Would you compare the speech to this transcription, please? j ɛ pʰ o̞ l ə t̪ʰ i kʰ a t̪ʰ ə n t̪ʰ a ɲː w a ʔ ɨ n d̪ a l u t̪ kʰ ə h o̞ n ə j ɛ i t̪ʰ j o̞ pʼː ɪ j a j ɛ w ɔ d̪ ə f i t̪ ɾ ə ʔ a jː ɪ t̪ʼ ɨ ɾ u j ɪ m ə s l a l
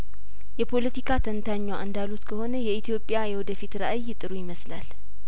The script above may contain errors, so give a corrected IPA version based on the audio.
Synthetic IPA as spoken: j ɛ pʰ o̞ l ə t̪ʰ i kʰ a t̪ʰ ə n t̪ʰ a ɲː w a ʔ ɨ n d̪ a l u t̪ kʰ ə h o̞ n ə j ɛ i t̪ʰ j o̞ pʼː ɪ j a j ɛ w ɔ d̪ ə f i t̪ ɾ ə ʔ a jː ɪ t̪ʼ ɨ ɾ u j ɪ m ə s l a l